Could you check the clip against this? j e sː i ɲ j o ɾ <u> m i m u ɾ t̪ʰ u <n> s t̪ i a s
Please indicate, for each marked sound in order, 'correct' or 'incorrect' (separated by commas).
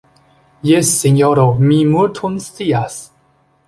incorrect, correct